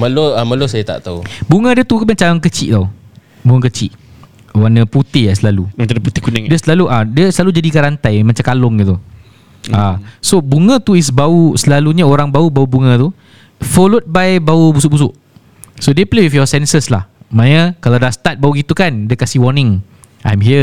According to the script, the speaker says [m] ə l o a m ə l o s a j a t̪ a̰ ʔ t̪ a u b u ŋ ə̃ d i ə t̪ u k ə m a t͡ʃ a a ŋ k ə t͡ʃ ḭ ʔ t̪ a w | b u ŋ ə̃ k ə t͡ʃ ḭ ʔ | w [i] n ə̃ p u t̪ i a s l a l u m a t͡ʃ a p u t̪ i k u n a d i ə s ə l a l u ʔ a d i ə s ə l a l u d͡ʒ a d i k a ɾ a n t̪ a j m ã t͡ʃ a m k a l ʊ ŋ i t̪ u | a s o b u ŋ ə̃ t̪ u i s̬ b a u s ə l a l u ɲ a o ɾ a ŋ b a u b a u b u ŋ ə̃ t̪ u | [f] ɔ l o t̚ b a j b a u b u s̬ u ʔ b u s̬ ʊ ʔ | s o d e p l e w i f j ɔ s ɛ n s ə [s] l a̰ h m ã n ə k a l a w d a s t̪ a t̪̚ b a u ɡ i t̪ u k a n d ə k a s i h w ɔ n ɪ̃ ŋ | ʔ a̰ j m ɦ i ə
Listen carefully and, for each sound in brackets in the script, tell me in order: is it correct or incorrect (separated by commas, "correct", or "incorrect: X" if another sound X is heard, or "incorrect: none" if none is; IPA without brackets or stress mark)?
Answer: correct, incorrect: a, correct, correct